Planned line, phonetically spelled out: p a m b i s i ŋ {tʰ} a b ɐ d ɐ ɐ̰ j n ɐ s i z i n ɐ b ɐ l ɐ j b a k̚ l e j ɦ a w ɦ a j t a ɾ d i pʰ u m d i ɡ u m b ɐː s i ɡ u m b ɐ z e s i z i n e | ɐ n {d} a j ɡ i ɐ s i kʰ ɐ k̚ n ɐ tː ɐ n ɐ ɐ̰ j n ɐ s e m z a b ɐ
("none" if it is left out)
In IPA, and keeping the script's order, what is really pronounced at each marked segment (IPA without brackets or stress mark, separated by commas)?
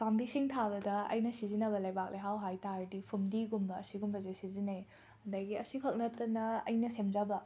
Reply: tʰ, d